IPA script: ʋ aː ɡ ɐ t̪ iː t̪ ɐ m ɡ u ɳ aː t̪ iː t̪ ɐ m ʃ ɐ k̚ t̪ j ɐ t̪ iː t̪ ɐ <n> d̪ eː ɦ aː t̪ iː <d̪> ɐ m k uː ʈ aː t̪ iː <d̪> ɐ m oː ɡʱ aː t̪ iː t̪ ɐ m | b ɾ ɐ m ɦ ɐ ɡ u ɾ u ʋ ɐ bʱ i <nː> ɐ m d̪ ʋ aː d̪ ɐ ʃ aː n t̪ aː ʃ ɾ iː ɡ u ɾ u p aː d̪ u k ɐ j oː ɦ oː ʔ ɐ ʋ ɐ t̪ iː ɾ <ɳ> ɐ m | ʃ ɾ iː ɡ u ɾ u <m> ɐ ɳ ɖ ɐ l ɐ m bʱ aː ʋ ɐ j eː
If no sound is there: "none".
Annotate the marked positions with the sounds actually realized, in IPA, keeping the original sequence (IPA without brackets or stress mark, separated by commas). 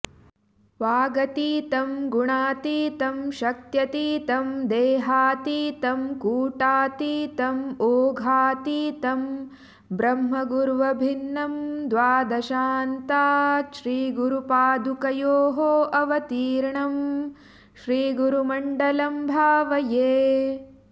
m, t̪, t̪, nː, ɳ, m